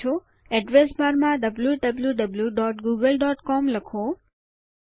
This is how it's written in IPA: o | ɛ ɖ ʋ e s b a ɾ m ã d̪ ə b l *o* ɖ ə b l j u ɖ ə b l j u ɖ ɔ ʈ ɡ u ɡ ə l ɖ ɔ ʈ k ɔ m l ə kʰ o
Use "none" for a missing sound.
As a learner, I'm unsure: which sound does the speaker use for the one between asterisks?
u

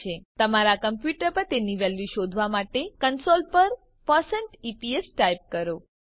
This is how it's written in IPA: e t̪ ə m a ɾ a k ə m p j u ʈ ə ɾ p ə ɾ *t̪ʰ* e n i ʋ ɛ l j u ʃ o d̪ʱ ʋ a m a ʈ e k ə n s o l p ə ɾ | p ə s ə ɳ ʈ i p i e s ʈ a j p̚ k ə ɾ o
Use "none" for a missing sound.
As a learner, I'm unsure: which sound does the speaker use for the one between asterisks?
t̪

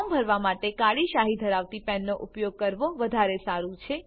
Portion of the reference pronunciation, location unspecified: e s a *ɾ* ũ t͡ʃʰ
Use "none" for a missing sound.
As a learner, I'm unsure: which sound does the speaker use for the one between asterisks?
ɾ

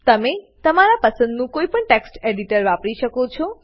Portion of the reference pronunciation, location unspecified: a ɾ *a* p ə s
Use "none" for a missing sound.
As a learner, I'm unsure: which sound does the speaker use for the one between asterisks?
a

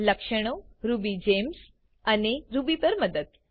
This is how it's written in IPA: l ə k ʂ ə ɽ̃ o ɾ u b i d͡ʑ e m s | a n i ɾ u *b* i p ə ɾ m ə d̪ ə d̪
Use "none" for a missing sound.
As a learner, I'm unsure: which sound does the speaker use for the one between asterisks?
b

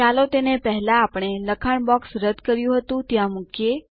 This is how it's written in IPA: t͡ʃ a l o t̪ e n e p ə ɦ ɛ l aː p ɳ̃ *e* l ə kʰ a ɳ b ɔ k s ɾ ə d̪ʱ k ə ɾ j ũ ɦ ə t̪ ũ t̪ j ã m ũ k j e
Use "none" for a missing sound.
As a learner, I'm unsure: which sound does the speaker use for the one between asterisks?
e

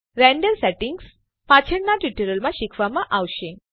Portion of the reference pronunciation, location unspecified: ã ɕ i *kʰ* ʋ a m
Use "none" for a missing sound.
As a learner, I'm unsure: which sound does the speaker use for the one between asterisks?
kʰ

